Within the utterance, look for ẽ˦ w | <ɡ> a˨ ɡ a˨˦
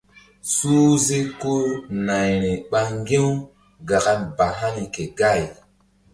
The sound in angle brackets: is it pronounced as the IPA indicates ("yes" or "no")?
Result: yes